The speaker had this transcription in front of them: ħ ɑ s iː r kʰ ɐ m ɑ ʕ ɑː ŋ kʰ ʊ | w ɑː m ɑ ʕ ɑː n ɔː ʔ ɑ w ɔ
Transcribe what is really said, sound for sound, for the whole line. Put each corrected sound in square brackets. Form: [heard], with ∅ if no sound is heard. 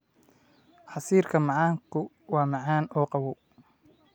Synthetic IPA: ħ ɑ s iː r kʰ ɐ m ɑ ʕ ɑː ŋ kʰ ʊ | w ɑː m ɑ ʕ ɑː n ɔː [q] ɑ w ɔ